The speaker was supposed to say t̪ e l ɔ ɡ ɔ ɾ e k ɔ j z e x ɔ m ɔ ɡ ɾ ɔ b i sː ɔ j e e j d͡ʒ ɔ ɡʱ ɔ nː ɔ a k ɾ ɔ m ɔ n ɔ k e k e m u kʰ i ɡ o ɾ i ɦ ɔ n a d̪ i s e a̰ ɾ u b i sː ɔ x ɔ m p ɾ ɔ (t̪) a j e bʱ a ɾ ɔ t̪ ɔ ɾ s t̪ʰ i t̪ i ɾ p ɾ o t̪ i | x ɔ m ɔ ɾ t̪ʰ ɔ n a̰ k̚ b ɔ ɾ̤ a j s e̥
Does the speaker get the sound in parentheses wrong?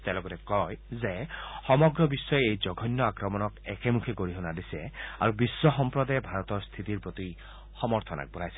yes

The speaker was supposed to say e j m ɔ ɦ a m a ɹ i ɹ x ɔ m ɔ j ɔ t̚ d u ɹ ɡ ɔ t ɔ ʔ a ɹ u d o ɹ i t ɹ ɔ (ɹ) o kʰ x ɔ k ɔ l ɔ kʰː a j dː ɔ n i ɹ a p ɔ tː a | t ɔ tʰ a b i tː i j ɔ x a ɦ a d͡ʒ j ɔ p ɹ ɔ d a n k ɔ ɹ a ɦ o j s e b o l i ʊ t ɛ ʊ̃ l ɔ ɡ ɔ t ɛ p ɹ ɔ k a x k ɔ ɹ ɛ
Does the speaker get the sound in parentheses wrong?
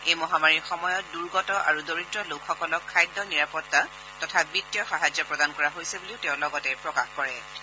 yes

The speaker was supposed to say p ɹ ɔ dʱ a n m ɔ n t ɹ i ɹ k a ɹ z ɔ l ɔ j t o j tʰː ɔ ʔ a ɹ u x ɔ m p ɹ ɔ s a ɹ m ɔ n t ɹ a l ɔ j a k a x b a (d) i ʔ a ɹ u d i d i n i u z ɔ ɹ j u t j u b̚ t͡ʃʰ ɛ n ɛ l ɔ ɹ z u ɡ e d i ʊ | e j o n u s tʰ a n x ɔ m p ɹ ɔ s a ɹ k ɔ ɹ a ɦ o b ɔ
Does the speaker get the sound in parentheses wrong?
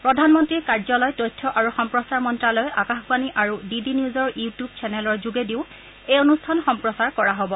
yes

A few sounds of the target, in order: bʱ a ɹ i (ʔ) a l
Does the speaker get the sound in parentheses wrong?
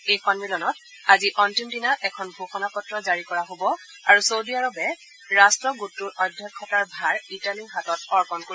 yes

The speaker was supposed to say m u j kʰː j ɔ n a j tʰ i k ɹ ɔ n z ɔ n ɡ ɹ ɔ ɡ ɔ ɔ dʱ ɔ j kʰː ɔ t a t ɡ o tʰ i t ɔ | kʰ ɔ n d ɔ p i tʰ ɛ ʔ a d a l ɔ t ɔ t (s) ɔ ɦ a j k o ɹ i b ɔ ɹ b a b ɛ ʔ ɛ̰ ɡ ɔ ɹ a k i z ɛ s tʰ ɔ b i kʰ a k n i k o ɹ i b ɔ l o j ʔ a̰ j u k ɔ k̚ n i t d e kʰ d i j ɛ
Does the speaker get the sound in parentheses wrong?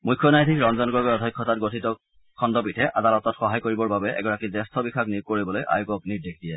yes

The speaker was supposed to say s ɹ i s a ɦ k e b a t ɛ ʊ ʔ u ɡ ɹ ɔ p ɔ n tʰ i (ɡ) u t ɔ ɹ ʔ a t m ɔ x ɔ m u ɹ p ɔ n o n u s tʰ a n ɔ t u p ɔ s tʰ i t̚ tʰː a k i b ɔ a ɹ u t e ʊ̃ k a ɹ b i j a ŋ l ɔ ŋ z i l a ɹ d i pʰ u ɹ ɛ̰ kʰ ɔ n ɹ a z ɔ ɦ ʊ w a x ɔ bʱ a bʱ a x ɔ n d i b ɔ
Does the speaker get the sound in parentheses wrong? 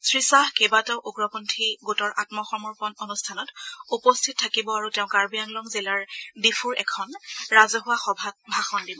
no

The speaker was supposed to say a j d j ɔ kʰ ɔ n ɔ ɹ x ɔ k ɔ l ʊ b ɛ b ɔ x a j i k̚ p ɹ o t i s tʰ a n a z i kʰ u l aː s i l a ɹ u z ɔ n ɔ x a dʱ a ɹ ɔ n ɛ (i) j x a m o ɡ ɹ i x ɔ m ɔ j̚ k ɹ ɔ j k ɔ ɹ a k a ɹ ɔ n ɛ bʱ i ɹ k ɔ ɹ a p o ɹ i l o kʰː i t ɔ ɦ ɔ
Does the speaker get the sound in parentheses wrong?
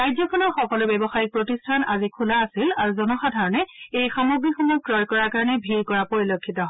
yes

